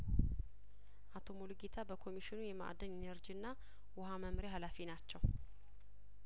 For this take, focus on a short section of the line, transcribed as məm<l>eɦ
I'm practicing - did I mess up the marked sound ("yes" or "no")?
yes